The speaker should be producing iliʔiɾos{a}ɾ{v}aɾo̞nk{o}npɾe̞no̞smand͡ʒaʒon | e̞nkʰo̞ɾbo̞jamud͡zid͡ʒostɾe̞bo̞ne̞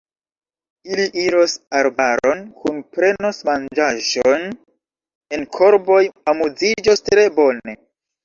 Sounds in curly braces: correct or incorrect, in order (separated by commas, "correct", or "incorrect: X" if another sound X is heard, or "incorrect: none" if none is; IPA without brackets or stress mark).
correct, incorrect: b, incorrect: u